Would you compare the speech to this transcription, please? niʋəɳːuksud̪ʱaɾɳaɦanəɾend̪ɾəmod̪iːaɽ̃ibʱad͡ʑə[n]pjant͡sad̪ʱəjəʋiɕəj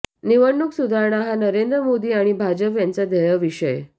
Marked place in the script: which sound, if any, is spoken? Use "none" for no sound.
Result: none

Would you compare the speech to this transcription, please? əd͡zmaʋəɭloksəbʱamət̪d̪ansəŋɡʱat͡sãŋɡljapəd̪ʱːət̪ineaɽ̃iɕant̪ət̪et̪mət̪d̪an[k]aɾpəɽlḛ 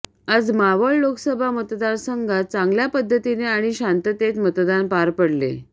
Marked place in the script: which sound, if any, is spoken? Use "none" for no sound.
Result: p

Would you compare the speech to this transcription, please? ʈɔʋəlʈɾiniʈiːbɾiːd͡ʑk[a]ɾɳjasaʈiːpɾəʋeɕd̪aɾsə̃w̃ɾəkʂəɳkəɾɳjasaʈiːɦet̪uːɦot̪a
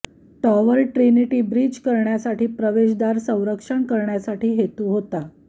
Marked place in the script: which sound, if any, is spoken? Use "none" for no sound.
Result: ə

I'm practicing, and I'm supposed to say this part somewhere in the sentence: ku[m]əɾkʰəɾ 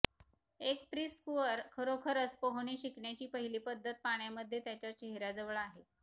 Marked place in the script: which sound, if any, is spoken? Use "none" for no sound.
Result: none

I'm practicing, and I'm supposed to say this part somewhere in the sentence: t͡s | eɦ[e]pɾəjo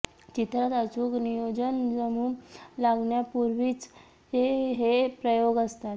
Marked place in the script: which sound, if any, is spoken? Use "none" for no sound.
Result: e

